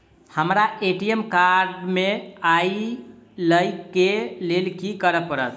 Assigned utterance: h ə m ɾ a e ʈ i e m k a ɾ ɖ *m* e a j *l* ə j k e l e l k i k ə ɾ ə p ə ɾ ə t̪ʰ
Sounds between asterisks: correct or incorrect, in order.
correct, correct

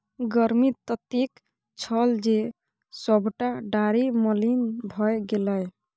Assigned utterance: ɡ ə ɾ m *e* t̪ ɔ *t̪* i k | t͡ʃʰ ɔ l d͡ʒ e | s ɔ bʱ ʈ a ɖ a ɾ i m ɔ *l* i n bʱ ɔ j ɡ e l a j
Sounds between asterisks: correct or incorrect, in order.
incorrect: i, correct, correct

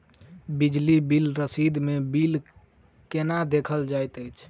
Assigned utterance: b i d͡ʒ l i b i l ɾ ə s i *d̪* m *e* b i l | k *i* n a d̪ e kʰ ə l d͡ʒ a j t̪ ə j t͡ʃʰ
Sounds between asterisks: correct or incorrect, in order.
correct, correct, incorrect: e

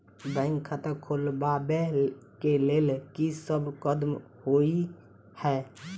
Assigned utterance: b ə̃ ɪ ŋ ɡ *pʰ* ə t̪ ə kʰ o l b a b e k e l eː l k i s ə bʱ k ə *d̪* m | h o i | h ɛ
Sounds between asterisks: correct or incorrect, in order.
incorrect: kʰ, correct

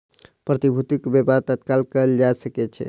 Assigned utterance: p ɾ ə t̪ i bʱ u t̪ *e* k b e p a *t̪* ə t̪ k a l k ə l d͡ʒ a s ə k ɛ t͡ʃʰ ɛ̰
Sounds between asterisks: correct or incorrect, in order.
incorrect: i, correct

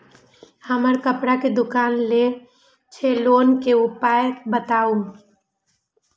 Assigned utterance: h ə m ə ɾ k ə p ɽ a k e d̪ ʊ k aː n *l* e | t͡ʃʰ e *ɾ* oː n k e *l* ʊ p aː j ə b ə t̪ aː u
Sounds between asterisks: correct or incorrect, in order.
correct, incorrect: l, incorrect: none

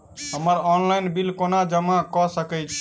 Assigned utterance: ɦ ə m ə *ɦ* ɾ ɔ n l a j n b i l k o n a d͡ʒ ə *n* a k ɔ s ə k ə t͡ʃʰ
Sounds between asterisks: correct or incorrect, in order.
incorrect: none, incorrect: m

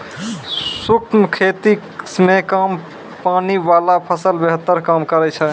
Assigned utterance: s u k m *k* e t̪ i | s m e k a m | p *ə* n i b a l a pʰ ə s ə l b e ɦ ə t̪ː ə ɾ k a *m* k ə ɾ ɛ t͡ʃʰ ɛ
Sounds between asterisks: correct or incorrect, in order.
incorrect: kʰ, incorrect: a, correct

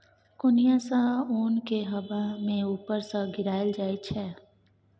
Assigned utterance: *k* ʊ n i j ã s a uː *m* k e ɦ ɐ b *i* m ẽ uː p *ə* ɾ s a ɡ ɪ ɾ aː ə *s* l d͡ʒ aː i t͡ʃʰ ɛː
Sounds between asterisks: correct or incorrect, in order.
correct, incorrect: n, incorrect: a, correct, incorrect: none

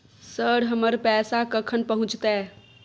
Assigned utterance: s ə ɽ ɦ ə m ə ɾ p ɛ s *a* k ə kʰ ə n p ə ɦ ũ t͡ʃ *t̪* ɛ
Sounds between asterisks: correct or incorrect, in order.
correct, correct

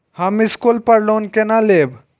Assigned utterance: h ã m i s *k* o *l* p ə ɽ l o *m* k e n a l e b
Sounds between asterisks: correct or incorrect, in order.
correct, correct, incorrect: n

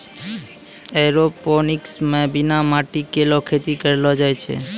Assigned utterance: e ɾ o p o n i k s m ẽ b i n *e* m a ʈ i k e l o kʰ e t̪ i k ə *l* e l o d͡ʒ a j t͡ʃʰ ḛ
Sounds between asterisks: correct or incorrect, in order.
incorrect: a, incorrect: ɾ

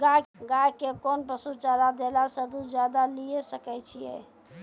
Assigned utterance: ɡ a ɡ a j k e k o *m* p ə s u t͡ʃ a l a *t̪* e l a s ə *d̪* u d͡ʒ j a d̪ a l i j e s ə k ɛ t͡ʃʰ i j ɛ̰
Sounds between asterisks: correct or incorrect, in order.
incorrect: n, incorrect: d̪, correct

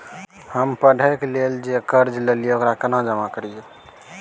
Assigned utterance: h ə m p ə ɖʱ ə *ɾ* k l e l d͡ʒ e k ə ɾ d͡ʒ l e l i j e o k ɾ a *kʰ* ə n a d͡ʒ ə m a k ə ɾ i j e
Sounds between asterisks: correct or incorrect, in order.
incorrect: none, incorrect: k

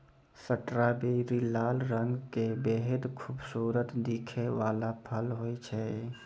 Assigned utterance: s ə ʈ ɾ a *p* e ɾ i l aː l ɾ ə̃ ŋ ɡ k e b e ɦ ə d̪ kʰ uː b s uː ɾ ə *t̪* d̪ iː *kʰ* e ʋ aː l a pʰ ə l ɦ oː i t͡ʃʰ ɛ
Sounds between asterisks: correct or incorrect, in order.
incorrect: b, correct, correct

